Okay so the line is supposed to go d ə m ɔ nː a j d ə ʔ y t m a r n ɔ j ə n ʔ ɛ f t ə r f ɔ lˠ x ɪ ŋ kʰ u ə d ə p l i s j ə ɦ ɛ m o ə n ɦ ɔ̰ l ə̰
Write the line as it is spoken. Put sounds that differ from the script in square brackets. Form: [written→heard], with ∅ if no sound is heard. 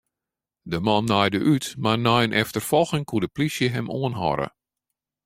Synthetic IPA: d ə m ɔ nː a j d ə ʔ y t m a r n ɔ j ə n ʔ ɛ f t ə r f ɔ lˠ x ɪ ŋ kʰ u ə d ə p l i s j ə ɦ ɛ m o ə n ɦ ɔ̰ [l→ɾ] ə̰